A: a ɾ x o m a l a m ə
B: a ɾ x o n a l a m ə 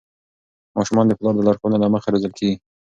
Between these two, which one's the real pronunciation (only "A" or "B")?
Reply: B